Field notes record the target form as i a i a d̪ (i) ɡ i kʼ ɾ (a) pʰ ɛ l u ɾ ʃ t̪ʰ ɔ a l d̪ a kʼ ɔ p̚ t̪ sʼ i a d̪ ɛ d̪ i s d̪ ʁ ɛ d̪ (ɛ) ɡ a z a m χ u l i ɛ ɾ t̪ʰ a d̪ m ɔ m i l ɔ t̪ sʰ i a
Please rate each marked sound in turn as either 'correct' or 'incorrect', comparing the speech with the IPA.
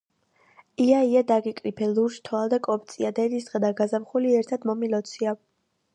incorrect: a, incorrect: i, incorrect: a

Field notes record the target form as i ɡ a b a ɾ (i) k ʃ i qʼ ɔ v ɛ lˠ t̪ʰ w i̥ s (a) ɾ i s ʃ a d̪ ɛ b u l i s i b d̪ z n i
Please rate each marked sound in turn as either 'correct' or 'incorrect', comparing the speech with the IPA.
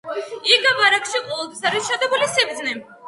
incorrect: a, correct

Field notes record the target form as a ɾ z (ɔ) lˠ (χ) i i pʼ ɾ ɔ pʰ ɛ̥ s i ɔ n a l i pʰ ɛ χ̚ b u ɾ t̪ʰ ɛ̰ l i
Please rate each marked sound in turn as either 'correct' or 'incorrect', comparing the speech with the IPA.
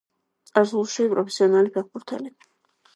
incorrect: u, incorrect: ʃ

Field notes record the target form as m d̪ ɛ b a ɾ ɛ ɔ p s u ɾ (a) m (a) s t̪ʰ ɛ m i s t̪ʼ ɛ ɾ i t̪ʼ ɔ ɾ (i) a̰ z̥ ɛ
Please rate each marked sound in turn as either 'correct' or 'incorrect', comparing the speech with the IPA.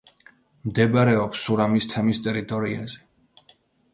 correct, incorrect: i, correct

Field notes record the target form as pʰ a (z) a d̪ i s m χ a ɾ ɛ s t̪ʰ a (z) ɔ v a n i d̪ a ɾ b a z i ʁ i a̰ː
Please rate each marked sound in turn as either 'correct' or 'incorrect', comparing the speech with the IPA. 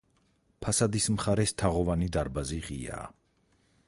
incorrect: s, incorrect: ʁ

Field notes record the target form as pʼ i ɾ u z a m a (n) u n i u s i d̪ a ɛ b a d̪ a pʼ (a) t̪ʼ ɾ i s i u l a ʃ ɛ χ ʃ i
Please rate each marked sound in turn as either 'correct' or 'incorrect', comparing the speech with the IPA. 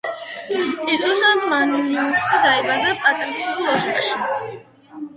correct, correct

